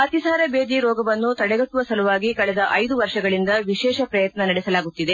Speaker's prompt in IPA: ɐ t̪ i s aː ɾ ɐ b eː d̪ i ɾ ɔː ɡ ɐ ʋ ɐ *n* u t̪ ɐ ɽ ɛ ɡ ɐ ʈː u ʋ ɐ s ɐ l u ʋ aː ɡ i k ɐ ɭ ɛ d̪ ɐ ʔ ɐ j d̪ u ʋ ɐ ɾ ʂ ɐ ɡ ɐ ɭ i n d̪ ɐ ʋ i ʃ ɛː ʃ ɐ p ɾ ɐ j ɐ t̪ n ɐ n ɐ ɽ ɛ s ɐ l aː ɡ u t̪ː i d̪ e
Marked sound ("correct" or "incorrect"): incorrect